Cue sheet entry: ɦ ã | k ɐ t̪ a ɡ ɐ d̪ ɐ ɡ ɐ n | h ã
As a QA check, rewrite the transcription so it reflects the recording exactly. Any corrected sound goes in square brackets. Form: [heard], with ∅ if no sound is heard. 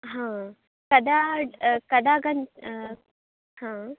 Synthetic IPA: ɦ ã | k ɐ [d̪] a [k] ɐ d̪ [a] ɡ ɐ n | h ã